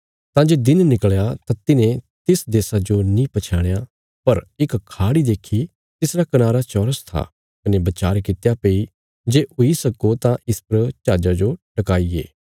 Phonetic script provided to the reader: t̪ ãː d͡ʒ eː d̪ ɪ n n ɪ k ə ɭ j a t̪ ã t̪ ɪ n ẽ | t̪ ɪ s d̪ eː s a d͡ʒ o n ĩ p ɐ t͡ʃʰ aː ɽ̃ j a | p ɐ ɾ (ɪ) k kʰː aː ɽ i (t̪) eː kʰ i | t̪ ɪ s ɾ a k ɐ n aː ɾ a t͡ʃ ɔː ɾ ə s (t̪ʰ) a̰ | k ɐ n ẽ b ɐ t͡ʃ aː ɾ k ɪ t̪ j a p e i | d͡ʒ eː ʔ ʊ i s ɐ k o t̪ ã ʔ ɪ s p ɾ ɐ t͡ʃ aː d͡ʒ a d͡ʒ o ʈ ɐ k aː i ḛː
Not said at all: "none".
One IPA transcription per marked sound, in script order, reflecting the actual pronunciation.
ɪ, d̪, t̪ʰ

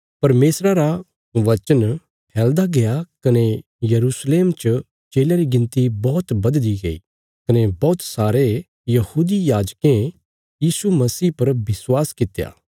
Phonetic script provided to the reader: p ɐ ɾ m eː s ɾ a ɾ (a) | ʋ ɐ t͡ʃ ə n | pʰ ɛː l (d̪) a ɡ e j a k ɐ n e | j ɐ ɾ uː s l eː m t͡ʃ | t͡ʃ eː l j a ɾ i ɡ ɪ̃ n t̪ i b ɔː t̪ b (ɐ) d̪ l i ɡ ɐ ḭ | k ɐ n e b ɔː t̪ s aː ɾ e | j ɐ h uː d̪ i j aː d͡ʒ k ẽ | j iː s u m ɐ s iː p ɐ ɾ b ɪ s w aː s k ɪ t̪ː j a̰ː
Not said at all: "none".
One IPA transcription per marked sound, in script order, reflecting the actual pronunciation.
a, d̪, ɐ

